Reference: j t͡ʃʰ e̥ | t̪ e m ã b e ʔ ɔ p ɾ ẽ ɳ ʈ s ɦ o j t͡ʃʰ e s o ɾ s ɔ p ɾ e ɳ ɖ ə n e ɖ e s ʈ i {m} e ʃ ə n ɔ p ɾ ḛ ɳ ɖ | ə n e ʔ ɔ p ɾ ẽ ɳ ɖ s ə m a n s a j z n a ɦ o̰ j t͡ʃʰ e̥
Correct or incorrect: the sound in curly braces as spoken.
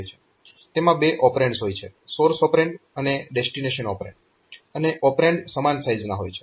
incorrect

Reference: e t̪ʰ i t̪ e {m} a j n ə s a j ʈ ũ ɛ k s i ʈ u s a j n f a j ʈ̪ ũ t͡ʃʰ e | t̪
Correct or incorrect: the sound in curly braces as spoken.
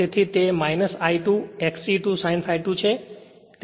correct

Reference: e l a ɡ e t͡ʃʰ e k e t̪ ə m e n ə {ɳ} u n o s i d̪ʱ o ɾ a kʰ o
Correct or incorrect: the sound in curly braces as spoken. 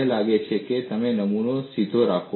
incorrect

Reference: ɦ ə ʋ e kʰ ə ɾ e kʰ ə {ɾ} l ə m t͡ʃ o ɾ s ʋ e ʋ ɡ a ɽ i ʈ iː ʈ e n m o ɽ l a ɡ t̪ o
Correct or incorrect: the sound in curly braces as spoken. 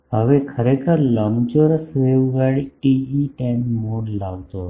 correct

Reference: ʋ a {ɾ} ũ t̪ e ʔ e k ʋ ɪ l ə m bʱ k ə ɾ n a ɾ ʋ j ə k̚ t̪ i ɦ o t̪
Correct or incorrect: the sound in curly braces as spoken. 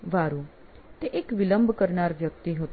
correct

